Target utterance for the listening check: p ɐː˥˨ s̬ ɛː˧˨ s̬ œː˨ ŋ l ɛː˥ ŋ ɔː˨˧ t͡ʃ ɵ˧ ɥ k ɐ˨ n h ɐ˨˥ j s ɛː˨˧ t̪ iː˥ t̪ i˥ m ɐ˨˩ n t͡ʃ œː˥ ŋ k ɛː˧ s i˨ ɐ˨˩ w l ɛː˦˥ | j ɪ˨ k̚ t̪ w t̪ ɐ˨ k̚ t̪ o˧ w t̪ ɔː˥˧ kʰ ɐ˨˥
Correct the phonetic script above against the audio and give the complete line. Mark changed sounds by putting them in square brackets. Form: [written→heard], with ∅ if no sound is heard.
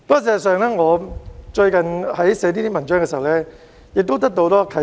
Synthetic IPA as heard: p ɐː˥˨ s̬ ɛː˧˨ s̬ œː˨ ŋ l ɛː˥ ŋ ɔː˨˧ t͡ʃ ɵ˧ ɥ k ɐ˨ n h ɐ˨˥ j s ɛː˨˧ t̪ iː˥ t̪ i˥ m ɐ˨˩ n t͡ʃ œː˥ ŋ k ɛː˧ s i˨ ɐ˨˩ w l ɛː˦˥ | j ɪ˨ k̚ t̪ w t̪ [ɐ˨→ɐ˥] k̚ t̪ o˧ w t̪ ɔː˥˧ kʰ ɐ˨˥